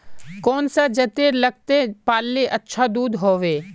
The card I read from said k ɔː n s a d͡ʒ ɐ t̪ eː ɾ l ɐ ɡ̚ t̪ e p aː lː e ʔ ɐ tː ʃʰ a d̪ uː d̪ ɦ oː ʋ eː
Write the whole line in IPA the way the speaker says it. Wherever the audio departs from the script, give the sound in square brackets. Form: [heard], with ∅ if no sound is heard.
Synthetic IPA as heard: k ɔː n s a d͡ʒ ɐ t̪ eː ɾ l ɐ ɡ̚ t̪ e p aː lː e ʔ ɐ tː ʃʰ a d̪ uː d̪ ɦ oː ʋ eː